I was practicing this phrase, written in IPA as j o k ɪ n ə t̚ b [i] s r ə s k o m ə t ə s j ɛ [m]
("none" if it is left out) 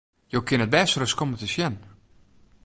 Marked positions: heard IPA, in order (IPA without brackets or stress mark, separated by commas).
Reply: ɛ, n